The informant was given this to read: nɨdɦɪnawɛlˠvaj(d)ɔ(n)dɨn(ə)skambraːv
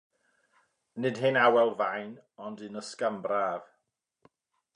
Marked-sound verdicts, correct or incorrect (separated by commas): incorrect, correct, correct